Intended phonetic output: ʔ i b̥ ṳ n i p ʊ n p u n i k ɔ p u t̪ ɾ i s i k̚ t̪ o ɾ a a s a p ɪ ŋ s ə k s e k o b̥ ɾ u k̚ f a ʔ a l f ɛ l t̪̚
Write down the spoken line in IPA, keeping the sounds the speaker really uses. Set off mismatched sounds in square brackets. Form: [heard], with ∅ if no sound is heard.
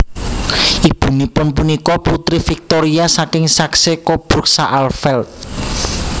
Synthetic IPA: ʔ i b̥ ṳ n i p ʊ n p u n i k ɔ p u t̪ ɾ i [f] i k̚ t̪ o ɾ [i] a s a [k] ɪ ŋ s [a] k s e k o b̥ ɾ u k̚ [s] a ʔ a l f ɛ l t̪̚

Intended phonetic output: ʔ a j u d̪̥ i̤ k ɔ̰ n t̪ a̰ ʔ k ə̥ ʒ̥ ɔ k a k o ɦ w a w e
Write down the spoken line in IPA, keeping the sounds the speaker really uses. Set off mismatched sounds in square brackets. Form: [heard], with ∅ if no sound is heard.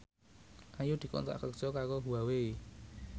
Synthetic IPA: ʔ a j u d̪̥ i̤ k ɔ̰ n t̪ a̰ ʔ k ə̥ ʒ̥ ɔ k a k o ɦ [u] a w e

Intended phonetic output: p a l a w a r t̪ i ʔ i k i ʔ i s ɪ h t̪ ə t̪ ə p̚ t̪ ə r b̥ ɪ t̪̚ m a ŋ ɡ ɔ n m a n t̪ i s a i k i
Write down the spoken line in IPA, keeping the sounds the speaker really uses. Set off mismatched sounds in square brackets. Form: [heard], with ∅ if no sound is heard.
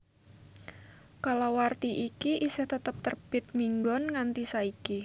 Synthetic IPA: [k] a l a w a r t̪ i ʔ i k i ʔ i s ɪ h t̪ ə t̪ ə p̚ t̪ ə r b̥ ɪ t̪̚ m [i] ŋ ɡ ɔ n [ŋ] a n t̪ i s a i k i

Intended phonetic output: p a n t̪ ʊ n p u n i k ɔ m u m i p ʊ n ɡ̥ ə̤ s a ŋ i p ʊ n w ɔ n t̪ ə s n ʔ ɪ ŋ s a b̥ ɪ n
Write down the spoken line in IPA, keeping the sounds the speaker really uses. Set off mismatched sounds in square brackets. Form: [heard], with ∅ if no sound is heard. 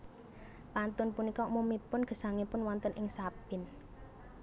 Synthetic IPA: p a n t̪ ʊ n p u n i k ɔ m u m i p ʊ n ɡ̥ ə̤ s a ŋ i p ʊ n w ɔ n t̪ ə [∅] n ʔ ɪ ŋ s a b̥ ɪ n

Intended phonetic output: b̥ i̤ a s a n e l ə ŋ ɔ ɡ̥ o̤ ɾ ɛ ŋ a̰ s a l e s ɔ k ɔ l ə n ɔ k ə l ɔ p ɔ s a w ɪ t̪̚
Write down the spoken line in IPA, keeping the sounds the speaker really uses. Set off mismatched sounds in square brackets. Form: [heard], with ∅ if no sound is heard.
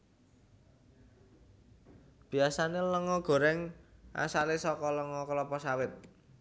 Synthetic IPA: b̥ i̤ a s a n e l ə ŋ ɔ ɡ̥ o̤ ɾ ɛ ŋ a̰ s a l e s ɔ k ɔ l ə [ŋ] ɔ k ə l ɔ p ɔ s a w ɪ t̪̚

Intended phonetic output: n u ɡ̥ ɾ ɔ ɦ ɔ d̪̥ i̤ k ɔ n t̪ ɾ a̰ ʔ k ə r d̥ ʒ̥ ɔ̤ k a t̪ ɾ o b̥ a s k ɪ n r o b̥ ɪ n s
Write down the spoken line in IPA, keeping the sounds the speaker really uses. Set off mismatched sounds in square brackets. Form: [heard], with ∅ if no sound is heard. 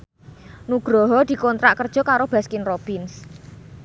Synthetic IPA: n u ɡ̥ ɾ ɔ ɦ ɔ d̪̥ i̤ k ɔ n t̪ ɾ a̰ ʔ k ə r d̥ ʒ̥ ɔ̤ k a [∅] ɾ o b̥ a s k ɪ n r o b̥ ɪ n s

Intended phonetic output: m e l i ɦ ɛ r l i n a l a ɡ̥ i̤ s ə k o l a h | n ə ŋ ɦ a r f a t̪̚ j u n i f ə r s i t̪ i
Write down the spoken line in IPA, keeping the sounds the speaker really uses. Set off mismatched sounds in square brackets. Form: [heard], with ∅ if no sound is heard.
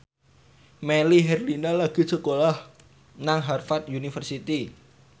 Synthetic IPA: m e l i ɦ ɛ r l i n a l a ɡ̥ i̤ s ə k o l a h | n [a] ŋ ɦ a r f a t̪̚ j u n i f ə r s i t̪ i

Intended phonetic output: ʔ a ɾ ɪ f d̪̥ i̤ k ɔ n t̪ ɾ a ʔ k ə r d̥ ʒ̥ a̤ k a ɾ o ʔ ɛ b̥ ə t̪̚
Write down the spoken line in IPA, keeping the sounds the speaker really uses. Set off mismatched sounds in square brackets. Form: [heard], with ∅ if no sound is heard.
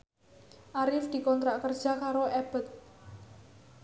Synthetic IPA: ʔ a ɾ ɪ f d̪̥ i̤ k ɔ n t̪ ɾ a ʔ k ə r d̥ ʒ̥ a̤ k a ɾ o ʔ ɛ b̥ ə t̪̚

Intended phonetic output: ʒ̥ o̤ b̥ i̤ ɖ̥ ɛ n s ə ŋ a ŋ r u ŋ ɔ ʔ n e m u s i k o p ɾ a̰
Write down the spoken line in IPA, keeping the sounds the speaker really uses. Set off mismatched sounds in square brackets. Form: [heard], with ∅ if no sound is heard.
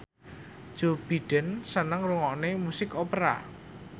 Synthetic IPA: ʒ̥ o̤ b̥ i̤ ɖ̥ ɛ n s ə [n] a ŋ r u ŋ ɔ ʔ n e m u s [ɪ] k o p ɾ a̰

